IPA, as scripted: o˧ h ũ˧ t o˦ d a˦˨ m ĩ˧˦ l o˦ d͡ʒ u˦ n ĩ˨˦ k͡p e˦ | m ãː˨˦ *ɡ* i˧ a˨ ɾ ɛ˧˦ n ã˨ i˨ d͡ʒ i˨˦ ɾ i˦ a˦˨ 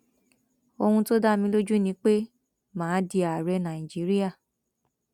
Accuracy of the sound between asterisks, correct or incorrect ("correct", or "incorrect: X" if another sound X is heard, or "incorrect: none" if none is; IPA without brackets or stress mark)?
incorrect: d